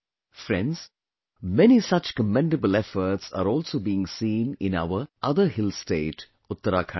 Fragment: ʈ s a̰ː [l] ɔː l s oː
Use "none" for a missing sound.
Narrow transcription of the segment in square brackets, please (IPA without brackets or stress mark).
ɾ